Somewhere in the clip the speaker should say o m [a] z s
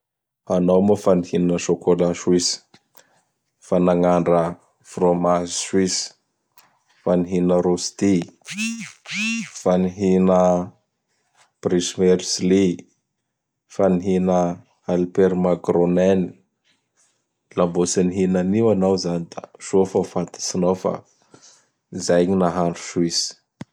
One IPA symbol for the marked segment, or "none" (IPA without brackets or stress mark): a